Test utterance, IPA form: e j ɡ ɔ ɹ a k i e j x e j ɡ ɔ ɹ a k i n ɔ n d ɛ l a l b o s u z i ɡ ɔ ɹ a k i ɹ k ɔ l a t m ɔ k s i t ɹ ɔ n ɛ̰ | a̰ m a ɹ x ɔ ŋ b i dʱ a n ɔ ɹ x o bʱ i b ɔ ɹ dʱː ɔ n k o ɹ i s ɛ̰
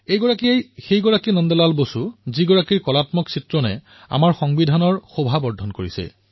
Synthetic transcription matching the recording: e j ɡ ɔ ɹ a k i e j x e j ɡ ɔ ɹ a k i n ɔ n d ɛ l a l b o s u z i ɡ ɔ ɹ a k i ɹ k ɔ l a t m ɔ k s i t ɹ ɔ n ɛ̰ | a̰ m a ɹ x ɔ ŋ b i dʱ a n ɔ ɹ x o bʱ a b ɔ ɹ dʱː ɔ n k o ɹ i s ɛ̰